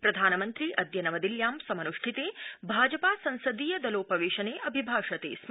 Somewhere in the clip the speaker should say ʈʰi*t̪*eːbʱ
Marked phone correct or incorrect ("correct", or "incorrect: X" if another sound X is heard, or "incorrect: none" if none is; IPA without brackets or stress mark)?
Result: correct